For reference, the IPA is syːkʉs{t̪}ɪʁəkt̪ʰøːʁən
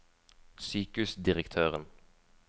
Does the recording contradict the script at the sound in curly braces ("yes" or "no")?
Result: yes